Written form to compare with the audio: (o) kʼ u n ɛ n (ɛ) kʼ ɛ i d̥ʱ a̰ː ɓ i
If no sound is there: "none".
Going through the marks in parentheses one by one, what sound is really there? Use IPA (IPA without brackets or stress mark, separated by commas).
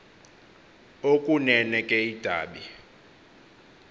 o, ɛ